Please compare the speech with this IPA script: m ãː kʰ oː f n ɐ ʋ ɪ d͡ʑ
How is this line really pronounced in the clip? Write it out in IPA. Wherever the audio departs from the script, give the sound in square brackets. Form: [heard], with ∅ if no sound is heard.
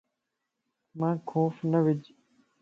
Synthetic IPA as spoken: m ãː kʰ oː f n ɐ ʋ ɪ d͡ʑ